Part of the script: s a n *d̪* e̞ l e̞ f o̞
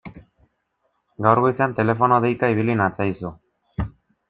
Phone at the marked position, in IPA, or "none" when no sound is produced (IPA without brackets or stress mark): t̪